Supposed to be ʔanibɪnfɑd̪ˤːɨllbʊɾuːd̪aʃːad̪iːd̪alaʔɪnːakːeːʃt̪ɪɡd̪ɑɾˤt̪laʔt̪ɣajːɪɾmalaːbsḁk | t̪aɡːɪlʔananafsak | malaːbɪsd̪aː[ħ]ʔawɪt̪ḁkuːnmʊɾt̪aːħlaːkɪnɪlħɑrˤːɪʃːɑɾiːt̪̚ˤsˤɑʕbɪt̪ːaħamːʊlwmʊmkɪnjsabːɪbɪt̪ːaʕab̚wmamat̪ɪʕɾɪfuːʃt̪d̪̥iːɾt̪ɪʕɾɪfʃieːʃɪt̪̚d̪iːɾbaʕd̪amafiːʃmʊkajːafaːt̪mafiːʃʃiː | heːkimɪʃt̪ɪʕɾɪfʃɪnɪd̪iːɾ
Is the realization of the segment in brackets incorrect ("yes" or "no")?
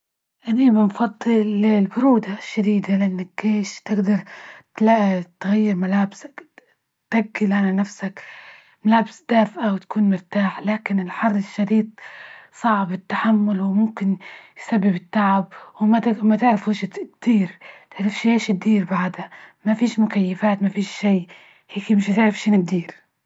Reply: yes